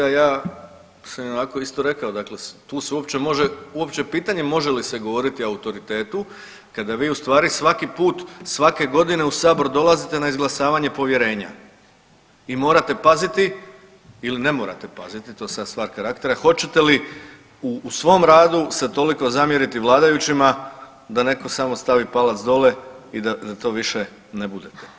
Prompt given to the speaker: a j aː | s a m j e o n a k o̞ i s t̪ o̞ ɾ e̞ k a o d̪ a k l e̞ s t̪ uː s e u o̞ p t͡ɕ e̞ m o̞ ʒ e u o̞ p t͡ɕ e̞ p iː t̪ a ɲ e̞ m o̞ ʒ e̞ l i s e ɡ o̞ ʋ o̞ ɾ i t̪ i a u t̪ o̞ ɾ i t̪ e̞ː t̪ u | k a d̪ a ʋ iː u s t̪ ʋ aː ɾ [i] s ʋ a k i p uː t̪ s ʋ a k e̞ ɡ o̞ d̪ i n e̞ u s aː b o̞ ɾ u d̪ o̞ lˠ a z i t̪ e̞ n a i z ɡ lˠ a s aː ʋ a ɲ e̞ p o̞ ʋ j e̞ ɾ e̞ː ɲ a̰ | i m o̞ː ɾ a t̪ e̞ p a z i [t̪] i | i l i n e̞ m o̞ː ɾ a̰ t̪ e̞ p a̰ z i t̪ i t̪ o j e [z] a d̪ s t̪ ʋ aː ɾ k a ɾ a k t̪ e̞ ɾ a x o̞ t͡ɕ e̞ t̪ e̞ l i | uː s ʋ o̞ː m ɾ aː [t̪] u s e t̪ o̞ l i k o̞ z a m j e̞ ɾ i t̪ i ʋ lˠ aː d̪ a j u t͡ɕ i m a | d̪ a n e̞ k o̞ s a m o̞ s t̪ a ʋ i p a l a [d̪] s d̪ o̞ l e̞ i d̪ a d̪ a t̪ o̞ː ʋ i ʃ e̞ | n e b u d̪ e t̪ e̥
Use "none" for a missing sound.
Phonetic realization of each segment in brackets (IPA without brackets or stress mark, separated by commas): i, t̪, s, d̪, t̪